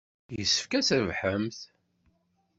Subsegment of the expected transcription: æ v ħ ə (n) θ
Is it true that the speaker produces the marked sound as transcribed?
no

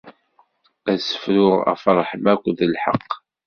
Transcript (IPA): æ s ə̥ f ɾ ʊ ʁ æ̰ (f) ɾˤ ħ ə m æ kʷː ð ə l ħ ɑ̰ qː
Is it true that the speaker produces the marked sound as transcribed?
yes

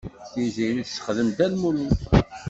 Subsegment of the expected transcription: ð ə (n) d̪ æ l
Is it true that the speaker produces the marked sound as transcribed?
no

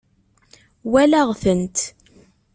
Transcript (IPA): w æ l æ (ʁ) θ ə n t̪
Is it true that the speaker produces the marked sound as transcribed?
yes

